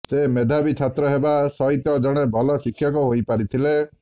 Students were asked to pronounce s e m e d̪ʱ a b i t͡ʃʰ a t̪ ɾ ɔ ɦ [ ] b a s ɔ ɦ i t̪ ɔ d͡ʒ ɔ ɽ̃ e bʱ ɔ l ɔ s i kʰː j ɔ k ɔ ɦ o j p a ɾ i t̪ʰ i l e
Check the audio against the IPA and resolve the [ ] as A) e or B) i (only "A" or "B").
A